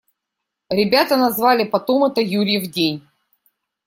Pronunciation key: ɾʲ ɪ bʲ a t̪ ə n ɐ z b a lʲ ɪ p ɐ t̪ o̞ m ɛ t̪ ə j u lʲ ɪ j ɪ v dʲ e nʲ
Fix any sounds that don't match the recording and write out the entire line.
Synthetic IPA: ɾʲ ɪ bʲ a t̪ ə n ɐ z v a lʲ ɪ p ɐ t̪ o̞ m ɛ t̪ ə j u ɾʲ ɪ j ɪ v dʲ e nʲ